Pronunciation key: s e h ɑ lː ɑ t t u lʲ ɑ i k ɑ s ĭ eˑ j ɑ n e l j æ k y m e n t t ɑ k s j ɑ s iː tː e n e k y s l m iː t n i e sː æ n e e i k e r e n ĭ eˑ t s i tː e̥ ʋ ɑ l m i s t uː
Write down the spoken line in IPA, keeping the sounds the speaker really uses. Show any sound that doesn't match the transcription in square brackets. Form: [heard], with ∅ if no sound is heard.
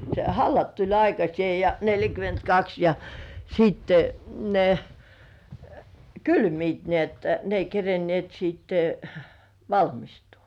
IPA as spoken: s e h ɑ lː ɑ t t u lʲ ɑ i k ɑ s ĭ eˑ j ɑ n e l j æ k y m e n t [k] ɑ k s j ɑ s iː tː e n e k y [∅] l m iː t n i e [tː] æ n e e i k e r e n ĭ eˑ t s i tː e̥ ʋ ɑ l m i s t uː